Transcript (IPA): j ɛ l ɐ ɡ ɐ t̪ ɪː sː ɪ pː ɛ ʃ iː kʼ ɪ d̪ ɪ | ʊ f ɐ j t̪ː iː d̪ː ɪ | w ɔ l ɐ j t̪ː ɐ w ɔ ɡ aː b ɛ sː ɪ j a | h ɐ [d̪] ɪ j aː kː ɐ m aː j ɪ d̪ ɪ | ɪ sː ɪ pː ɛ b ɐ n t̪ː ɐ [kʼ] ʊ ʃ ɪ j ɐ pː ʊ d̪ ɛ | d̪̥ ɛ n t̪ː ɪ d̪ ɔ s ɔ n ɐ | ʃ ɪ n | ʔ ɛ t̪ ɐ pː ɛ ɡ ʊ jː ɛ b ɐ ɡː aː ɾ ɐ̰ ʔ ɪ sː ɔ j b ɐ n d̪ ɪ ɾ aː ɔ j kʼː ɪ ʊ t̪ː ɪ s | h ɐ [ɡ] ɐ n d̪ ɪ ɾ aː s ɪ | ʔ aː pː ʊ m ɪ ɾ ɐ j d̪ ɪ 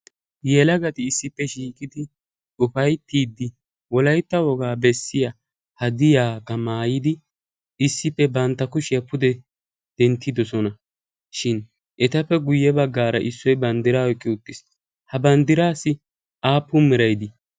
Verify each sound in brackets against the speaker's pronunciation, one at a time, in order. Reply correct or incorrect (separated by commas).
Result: correct, incorrect, incorrect